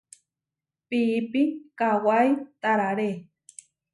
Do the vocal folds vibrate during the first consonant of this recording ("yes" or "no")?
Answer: no